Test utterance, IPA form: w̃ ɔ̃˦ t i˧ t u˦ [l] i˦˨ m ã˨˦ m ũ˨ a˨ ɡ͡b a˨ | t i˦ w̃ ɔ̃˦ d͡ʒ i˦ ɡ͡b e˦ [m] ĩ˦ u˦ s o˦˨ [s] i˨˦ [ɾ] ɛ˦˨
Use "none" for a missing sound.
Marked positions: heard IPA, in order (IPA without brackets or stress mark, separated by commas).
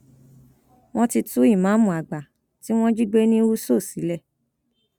none, n, s, l